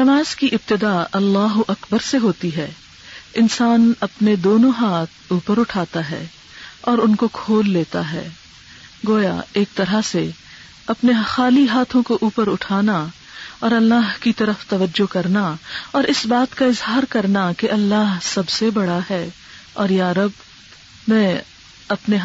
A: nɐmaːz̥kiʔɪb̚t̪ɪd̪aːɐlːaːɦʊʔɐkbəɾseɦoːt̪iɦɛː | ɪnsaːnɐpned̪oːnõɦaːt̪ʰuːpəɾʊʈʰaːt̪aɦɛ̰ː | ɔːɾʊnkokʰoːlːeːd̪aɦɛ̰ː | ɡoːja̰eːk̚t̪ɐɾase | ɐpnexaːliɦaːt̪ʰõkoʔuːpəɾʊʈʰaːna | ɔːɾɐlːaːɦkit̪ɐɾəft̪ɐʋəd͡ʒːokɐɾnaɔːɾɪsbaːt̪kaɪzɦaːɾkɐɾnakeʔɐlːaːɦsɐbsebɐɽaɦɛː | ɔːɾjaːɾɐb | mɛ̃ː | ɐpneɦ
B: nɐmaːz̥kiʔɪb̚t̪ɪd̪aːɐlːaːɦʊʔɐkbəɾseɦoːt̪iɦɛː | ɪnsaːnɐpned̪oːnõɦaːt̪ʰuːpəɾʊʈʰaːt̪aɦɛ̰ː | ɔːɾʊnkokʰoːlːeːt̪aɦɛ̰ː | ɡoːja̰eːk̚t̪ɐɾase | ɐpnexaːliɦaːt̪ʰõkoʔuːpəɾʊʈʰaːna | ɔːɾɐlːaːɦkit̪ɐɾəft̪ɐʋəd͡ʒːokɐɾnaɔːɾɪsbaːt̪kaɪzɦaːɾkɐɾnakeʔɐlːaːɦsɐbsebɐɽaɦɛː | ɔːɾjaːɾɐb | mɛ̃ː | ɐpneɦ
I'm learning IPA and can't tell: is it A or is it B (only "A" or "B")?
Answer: B